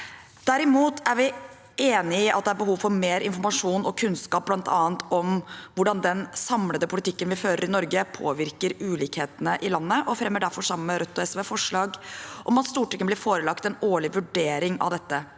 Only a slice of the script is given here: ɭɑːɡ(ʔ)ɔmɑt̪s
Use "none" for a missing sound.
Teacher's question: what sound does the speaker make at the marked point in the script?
ʔ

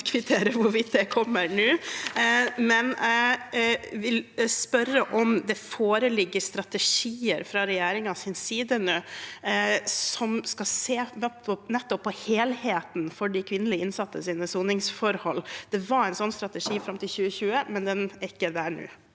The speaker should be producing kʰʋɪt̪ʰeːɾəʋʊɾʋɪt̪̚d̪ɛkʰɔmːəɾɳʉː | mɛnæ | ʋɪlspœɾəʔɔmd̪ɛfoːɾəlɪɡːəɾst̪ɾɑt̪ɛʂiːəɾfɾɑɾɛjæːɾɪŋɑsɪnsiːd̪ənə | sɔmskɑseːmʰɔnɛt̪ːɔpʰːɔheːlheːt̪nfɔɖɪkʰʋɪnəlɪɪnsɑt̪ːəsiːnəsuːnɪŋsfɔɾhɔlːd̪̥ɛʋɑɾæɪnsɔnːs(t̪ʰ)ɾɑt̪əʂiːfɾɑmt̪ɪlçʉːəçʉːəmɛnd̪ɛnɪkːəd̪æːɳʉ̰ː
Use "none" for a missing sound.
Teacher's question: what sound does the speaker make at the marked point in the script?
t̪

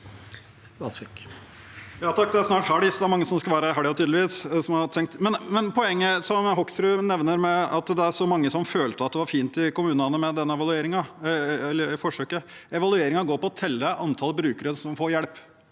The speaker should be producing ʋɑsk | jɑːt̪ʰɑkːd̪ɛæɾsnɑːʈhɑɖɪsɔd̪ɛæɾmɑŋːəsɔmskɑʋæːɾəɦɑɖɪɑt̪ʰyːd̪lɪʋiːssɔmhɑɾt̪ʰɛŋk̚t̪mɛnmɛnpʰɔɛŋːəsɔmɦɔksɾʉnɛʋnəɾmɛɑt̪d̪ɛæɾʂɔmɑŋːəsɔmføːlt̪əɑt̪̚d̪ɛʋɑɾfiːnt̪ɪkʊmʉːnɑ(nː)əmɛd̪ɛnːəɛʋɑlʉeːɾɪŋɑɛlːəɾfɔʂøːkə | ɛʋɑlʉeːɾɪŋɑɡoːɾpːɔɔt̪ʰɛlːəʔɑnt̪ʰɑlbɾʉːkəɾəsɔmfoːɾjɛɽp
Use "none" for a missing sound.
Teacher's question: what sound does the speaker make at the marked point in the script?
n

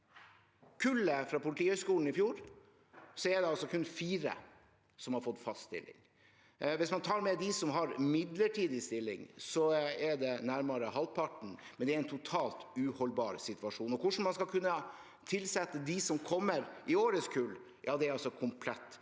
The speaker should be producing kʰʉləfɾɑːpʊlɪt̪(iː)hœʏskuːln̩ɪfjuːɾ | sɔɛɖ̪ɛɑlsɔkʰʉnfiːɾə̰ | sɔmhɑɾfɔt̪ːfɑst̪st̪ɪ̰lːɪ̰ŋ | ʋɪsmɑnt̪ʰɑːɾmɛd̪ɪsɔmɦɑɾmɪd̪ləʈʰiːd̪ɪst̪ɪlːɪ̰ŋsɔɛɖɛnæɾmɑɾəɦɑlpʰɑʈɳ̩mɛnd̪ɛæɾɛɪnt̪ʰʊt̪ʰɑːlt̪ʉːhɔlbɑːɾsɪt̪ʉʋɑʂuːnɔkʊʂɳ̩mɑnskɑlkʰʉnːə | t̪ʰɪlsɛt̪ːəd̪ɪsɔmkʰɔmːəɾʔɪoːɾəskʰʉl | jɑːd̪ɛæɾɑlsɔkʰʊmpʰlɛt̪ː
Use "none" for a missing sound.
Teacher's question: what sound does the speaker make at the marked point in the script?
iː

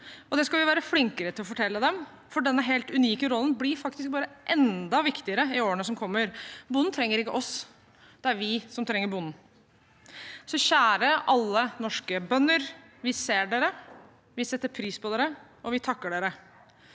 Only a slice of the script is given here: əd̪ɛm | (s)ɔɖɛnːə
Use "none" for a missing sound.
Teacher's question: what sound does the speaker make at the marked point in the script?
f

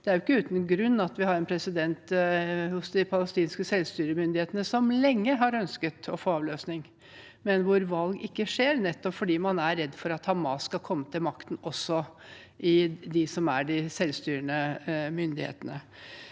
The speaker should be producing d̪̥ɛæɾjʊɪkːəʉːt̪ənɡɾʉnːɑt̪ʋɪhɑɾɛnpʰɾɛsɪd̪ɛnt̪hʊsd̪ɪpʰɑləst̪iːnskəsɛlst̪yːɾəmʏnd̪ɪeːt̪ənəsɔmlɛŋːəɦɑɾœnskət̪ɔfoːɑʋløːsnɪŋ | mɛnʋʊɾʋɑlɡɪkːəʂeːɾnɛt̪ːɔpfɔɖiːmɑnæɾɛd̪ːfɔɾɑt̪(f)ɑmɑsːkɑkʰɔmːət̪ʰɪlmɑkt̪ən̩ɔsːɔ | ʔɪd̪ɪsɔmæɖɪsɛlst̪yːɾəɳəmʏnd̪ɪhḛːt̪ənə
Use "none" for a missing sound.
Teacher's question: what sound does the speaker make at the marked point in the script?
h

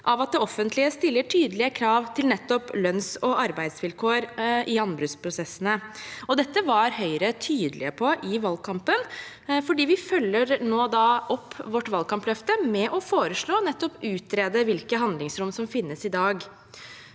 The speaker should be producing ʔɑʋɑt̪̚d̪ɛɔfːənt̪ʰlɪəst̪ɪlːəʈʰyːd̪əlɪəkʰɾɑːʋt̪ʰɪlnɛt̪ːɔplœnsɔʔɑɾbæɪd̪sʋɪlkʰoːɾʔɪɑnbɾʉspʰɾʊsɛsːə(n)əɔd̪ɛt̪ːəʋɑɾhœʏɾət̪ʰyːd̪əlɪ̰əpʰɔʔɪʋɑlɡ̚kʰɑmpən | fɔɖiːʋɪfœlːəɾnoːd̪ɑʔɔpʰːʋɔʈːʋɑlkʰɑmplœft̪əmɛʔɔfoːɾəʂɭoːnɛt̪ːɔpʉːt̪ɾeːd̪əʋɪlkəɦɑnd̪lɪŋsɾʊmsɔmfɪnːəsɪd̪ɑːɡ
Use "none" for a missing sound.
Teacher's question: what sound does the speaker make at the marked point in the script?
n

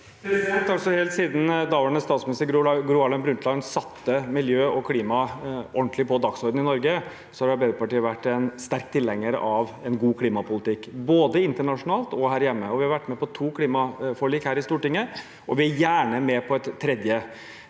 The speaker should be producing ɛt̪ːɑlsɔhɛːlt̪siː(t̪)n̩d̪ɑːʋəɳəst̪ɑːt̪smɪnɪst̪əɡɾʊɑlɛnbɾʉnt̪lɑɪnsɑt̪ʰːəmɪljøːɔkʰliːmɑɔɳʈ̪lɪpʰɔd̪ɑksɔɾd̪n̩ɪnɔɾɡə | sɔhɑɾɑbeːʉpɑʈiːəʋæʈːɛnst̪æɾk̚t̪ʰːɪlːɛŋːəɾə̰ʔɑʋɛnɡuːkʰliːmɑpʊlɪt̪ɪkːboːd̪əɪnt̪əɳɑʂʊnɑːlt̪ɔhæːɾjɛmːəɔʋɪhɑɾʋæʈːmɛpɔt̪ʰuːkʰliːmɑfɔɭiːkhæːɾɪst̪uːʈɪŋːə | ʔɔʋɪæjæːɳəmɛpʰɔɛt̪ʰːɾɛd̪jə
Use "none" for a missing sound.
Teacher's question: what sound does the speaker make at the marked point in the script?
d̪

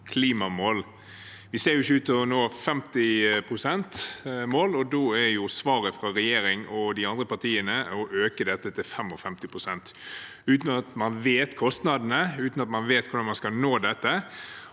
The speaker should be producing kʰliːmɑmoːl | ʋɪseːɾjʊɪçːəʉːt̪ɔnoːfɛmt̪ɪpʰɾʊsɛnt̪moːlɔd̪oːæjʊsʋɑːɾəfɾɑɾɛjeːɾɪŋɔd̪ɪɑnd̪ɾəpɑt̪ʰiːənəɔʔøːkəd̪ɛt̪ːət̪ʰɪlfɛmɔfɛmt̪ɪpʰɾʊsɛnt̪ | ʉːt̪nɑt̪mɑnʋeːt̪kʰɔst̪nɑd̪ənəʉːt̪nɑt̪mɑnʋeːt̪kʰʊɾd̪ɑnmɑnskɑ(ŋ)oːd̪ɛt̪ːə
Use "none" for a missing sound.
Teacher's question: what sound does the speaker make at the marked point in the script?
n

